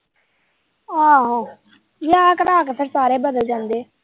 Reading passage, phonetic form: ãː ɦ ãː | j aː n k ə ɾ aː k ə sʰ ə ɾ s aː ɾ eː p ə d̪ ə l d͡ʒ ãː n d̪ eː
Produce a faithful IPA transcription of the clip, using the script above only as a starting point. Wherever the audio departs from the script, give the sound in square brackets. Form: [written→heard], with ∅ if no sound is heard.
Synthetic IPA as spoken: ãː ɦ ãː | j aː [n→∅] k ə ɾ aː k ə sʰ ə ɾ s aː ɾ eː [p→b] ə d̪ ə l d͡ʒ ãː n d̪ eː